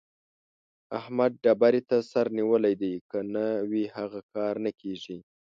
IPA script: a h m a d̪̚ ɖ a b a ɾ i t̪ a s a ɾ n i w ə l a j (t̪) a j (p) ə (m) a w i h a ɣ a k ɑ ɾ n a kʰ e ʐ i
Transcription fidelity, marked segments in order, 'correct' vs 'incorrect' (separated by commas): incorrect, incorrect, incorrect